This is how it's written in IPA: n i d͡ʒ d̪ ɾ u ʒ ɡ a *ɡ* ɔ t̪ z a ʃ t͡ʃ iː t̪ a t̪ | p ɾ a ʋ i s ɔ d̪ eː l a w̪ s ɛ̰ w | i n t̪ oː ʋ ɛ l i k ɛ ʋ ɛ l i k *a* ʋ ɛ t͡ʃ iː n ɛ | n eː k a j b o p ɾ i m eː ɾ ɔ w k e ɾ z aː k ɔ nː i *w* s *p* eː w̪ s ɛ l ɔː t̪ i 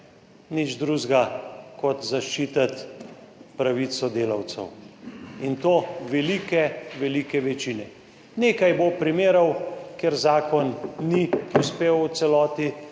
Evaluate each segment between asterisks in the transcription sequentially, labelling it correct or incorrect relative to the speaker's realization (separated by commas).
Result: incorrect, incorrect, incorrect, correct